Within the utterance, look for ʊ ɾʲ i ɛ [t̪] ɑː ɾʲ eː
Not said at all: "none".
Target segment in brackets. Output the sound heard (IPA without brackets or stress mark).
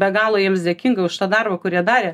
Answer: d̪